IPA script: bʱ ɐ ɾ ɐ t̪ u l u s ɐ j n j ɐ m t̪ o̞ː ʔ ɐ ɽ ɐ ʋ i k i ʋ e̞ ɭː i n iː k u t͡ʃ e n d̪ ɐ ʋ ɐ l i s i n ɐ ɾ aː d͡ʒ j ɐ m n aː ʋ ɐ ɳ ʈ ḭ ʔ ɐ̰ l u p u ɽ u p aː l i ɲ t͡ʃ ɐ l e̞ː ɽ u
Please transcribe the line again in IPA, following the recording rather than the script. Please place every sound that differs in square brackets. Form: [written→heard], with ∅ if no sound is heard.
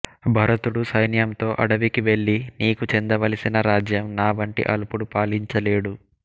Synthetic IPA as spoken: bʱ ɐ ɾ ɐ t̪ u [l→ɽ] u s ɐ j n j ɐ m t̪ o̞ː ʔ ɐ ɽ ɐ ʋ i k i ʋ e̞ ɭː i n iː k u t͡ʃ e n d̪ ɐ ʋ ɐ l i s i n ɐ ɾ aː d͡ʒ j ɐ m n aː ʋ ɐ ɳ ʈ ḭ ʔ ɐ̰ l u p u ɽ u p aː l i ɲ t͡ʃ ɐ l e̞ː ɽ u